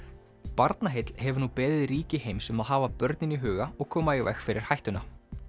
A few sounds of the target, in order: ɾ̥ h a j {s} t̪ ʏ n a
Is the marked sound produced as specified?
no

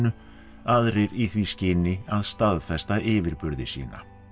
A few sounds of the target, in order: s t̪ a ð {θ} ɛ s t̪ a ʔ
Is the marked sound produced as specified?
no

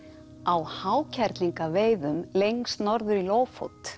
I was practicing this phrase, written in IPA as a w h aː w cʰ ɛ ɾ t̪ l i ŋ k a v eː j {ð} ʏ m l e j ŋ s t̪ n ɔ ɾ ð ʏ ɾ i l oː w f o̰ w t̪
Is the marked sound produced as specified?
yes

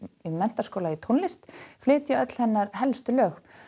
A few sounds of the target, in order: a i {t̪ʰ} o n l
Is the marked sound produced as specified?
yes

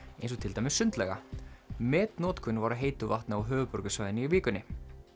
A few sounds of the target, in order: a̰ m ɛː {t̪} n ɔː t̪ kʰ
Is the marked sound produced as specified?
yes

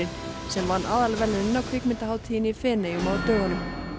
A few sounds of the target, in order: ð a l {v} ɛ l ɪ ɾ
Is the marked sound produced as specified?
yes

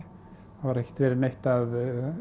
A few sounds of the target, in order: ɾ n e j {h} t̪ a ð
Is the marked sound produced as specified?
yes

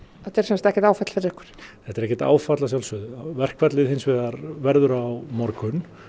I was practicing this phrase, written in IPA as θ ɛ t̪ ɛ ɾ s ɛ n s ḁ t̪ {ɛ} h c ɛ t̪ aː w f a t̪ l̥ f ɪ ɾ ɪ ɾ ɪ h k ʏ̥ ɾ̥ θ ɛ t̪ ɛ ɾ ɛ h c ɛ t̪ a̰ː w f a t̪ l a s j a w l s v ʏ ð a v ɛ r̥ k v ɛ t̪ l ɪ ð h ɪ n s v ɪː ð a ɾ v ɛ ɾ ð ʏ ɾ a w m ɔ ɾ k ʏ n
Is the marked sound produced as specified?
yes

